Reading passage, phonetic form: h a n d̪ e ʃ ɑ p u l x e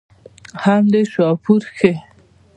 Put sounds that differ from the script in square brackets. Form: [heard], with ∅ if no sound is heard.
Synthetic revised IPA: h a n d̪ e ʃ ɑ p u [ɾ] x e